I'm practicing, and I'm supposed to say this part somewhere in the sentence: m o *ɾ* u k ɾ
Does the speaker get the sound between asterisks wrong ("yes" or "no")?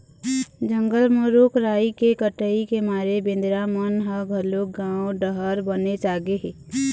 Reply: no